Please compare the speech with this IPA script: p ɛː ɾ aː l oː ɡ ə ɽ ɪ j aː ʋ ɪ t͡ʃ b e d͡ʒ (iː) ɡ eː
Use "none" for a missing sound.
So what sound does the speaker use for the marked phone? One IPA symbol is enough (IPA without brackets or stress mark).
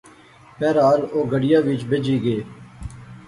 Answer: iː